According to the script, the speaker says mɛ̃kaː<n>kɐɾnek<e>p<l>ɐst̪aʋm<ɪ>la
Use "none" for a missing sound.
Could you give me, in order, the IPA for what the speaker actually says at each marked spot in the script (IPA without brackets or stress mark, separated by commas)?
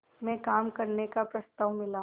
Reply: m, a, ɾ, ɪ